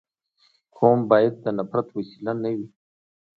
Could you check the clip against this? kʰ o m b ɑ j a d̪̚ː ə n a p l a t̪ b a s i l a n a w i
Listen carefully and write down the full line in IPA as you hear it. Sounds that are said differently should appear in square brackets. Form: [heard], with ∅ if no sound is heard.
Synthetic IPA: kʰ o m b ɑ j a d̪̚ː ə n a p [ɾ] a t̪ [w] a s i l a n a w i